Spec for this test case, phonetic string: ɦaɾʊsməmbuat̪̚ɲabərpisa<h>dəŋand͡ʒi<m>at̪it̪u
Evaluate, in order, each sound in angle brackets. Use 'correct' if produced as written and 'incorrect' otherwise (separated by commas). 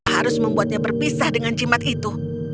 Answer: correct, correct